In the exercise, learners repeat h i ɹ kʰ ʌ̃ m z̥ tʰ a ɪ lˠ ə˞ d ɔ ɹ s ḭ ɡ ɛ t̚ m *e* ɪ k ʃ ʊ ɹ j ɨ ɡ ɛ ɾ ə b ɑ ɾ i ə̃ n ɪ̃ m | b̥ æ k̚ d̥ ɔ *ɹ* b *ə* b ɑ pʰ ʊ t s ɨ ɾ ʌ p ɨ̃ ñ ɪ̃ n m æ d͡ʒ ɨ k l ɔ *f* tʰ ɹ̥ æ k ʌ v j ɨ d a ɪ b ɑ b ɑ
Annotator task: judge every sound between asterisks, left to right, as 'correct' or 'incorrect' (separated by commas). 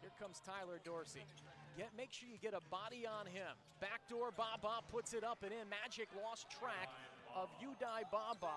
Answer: correct, correct, incorrect, incorrect